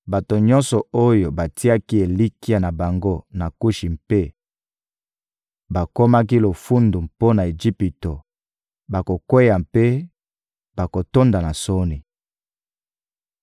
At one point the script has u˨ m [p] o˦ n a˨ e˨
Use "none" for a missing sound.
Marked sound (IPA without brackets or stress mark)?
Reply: p